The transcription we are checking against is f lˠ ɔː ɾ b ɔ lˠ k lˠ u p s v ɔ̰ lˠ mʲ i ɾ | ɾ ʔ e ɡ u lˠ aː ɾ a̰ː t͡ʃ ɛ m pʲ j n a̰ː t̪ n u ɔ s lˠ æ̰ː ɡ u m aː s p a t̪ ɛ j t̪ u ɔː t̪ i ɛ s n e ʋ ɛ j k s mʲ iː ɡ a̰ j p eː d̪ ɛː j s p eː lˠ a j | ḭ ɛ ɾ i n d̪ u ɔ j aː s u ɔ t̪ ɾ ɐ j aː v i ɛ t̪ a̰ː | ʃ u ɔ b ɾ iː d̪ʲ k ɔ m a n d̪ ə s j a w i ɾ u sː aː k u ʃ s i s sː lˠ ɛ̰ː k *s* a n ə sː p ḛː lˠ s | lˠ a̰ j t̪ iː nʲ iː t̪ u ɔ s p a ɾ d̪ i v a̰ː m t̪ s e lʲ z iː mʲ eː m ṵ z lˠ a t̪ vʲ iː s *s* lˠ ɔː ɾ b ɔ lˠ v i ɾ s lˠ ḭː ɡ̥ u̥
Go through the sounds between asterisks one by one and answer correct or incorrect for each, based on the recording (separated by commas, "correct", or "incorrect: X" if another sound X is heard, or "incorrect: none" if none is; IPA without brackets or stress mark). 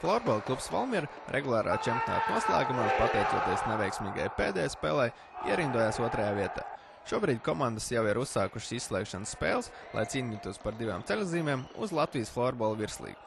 incorrect: ʃ, incorrect: f